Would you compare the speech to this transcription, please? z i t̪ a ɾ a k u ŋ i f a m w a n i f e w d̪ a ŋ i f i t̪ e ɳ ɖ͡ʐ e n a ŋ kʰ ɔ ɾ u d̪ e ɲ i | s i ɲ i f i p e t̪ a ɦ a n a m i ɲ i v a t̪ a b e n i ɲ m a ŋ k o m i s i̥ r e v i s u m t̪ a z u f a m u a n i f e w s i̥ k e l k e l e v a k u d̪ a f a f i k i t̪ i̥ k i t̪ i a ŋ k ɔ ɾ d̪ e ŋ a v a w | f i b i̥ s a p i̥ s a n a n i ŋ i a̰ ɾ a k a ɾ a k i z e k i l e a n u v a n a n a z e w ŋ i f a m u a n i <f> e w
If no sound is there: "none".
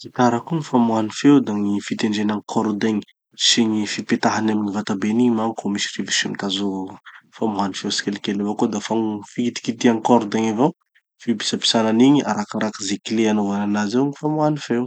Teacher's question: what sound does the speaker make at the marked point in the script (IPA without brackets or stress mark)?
f